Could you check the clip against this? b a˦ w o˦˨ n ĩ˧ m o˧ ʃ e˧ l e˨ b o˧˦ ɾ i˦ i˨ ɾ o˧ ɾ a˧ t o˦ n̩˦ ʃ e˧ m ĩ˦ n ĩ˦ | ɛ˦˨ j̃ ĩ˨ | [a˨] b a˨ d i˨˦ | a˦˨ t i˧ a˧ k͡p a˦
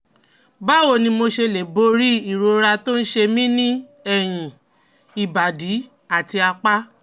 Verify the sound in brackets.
incorrect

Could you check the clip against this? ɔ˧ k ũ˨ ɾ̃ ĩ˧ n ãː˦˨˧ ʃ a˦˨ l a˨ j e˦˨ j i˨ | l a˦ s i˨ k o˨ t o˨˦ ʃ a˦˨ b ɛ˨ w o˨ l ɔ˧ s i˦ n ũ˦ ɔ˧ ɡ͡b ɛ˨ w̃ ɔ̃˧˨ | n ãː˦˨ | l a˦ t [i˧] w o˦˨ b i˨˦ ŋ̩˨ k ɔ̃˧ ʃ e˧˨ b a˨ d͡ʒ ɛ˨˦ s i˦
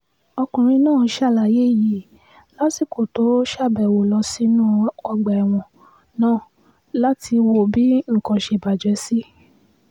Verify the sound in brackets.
correct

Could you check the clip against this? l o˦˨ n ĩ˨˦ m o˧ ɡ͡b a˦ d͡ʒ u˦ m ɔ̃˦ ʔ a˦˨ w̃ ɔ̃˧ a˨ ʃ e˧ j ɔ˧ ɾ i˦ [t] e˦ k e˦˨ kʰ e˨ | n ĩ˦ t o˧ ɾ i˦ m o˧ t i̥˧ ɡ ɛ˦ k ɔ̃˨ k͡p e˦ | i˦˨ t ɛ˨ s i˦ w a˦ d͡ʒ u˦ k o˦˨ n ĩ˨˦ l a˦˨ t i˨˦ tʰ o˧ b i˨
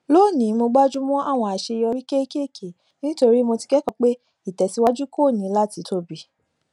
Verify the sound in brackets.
incorrect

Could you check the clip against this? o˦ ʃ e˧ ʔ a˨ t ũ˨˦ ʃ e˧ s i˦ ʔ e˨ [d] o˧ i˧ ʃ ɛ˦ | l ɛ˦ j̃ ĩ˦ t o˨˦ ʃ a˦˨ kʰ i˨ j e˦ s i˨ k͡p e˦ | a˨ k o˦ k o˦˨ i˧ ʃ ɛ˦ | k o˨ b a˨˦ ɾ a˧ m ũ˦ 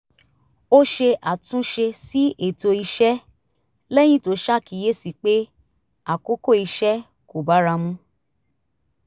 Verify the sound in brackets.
incorrect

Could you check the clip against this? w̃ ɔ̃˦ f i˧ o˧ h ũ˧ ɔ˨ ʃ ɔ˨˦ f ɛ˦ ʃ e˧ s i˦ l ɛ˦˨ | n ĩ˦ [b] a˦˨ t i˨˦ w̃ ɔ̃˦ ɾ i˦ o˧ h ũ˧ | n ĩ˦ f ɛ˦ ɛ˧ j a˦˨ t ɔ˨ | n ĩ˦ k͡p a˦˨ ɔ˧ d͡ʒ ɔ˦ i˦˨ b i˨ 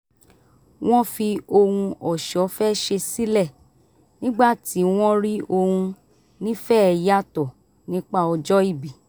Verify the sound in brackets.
incorrect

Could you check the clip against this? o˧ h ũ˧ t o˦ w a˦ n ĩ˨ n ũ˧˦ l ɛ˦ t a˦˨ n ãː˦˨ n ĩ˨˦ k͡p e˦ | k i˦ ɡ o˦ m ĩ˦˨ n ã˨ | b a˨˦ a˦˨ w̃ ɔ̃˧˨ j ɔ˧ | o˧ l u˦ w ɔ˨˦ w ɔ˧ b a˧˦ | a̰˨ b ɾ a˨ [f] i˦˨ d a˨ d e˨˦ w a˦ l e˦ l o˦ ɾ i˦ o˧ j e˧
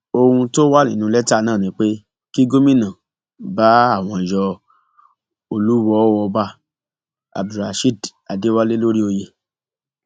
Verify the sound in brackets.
incorrect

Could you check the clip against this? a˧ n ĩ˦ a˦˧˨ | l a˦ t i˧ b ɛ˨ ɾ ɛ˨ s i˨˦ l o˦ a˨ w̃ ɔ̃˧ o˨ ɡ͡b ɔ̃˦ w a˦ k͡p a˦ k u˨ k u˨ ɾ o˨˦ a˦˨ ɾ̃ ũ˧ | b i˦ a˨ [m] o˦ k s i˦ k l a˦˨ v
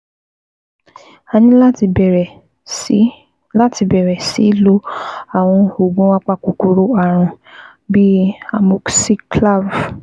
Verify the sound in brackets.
correct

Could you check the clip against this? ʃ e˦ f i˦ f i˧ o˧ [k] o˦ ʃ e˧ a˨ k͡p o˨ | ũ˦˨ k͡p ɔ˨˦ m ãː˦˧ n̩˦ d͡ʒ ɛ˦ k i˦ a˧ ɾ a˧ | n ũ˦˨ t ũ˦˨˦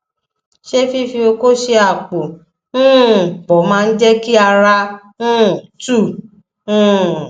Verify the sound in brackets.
correct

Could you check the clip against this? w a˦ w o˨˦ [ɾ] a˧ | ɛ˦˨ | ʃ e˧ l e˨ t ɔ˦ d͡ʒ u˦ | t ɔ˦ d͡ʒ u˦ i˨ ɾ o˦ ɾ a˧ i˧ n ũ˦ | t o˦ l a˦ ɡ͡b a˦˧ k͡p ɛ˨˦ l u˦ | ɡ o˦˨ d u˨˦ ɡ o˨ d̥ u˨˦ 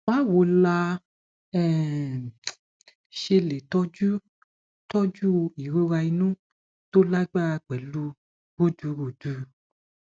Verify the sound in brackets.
incorrect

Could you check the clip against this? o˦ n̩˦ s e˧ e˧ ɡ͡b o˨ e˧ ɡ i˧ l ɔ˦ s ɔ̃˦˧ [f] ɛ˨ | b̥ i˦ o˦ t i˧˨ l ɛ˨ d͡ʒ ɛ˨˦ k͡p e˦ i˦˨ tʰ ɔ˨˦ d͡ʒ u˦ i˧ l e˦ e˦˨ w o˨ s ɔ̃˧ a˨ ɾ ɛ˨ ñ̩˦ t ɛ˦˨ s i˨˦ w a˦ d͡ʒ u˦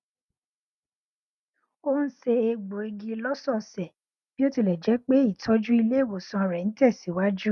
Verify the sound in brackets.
incorrect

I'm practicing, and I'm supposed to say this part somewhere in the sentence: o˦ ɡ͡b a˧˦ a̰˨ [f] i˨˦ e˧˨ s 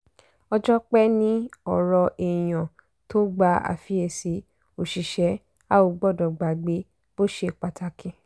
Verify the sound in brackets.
correct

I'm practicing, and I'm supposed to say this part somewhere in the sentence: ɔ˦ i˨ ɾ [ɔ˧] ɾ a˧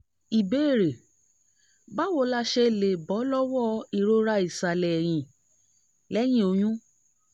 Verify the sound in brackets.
incorrect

